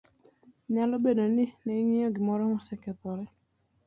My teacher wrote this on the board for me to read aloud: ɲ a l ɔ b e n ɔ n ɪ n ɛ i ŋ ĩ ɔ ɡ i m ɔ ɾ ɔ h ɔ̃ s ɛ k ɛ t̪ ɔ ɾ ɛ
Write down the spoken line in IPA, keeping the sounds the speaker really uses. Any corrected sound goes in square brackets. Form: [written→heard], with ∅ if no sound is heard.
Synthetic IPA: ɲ a l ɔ b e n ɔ n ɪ n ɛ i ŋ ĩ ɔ ɡ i m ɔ ɾ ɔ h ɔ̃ s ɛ k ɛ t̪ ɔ ɾ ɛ